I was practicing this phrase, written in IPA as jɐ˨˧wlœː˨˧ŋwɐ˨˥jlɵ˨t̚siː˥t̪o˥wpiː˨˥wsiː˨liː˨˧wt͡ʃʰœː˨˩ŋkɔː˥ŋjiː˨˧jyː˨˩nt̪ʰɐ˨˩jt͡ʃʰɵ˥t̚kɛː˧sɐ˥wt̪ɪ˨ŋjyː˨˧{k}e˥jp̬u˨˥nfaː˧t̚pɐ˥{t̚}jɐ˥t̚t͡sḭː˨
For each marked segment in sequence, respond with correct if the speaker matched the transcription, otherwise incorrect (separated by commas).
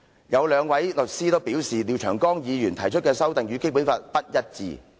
correct, correct